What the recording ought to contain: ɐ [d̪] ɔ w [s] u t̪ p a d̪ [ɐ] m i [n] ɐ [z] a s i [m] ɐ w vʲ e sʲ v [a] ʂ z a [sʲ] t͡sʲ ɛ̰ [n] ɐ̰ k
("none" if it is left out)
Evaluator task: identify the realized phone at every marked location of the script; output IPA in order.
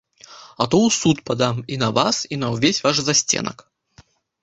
t̪, s, a, n, v, n, a, sʲ, n

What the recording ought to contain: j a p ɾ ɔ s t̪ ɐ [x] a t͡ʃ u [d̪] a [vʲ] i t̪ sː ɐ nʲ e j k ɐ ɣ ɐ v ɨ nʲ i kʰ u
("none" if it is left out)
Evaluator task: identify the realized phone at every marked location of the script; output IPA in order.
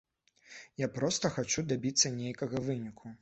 x, d̪, bʲ

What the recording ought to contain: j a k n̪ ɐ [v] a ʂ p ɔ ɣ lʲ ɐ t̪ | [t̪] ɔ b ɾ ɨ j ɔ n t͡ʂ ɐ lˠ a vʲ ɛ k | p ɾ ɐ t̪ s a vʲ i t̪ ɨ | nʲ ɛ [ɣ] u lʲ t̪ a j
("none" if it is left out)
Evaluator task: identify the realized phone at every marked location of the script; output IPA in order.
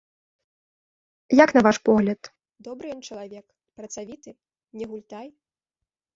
v, d̪, ɣ

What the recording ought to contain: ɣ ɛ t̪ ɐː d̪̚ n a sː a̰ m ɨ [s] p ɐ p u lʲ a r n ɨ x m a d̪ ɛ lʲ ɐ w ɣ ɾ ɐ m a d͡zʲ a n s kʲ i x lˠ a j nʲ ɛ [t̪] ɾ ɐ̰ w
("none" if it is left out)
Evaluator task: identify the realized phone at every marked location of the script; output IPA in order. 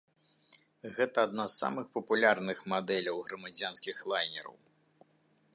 x, none

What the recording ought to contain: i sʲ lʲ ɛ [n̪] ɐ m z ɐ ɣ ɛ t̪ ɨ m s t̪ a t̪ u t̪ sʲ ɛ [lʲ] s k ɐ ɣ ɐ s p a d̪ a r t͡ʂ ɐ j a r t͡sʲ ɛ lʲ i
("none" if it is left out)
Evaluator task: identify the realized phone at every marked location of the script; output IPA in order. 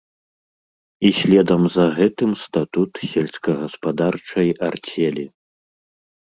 d̪, lʲ

